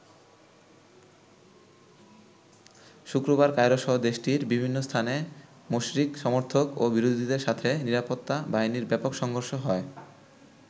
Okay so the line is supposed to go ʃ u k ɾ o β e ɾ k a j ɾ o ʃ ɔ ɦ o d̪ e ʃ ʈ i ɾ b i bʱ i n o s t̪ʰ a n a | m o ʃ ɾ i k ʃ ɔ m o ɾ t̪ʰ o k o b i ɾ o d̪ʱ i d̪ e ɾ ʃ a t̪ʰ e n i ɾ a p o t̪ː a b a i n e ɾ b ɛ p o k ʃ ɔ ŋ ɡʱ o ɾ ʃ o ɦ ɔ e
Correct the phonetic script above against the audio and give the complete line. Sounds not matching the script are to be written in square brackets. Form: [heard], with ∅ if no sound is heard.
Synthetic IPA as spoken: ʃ u k ɾ o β [a] ɾ k a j ɾ o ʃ ɔ ɦ o d̪ e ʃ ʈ i ɾ b i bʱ i [nː] o s t̪ʰ a n [e] | m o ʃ ɾ i k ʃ ɔ m o ɾ t̪ʰ o k o b i ɾ o d̪ʱ i d̪ e ɾ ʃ a t̪ʰ e n i ɾ a p o t̪ː a b a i n [i] ɾ b ɛ p o k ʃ ɔ ŋ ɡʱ o ɾ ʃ o ɦ ɔ e